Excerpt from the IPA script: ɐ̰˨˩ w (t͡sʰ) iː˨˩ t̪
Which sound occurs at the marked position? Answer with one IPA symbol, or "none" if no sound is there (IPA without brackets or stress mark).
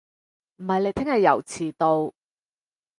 t͡sʰ